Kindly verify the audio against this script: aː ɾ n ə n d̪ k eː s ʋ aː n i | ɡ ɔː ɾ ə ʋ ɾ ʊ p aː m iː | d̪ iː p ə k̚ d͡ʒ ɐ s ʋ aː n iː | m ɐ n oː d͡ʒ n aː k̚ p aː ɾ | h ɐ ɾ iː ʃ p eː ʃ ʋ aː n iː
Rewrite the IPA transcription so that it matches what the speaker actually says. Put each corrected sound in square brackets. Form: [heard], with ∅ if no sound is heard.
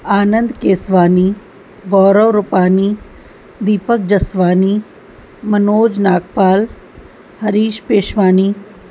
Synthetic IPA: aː [∅] n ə n d̪ k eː s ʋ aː n i | ɡ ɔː ɾ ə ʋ ɾ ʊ p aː [n] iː | d̪ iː p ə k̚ d͡ʒ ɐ s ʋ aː n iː | m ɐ n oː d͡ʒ n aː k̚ p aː [l] | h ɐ ɾ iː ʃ p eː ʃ ʋ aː n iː